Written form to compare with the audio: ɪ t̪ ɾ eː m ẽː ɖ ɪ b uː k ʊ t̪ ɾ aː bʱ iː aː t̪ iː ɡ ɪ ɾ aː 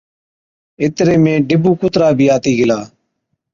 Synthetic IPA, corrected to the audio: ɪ t̪ ɾ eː m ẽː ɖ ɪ b uː k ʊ t̪ ɾ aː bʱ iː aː t̪ iː ɡ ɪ l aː